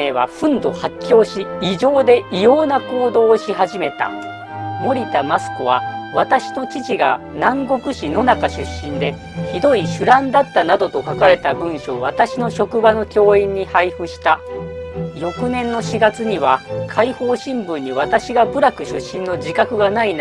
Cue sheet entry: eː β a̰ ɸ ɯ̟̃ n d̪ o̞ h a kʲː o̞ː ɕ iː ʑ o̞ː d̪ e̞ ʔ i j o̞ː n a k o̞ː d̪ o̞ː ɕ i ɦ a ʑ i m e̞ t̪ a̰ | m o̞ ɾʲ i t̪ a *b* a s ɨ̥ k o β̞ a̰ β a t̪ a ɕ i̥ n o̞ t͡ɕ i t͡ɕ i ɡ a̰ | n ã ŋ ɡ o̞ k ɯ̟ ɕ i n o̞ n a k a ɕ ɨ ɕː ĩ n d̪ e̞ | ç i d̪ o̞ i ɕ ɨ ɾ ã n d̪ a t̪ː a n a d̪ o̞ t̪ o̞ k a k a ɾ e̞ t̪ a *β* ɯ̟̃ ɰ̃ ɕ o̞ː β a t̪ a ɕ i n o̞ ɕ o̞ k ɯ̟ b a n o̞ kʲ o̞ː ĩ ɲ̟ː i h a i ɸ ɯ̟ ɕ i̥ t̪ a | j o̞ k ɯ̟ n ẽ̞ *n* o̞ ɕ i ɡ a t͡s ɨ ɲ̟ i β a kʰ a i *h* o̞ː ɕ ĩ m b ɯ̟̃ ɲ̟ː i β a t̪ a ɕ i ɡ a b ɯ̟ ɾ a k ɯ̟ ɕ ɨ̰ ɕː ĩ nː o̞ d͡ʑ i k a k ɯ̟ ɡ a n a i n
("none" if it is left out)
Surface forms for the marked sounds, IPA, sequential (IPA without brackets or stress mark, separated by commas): m, b, nː, h